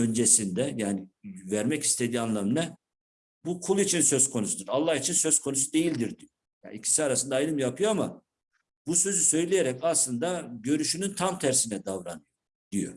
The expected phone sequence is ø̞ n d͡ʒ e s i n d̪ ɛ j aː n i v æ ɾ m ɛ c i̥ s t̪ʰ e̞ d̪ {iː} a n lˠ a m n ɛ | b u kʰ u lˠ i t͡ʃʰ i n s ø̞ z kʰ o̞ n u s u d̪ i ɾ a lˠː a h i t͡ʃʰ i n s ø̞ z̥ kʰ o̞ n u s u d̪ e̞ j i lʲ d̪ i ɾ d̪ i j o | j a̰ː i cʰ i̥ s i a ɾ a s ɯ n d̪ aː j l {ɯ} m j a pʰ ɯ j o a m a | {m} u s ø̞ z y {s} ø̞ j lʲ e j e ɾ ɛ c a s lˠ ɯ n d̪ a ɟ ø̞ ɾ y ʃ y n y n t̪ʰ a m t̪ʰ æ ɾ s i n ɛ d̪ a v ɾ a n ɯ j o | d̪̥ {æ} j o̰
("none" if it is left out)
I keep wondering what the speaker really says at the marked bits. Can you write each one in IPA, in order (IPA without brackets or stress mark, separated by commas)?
iː, ɯ, b, s, i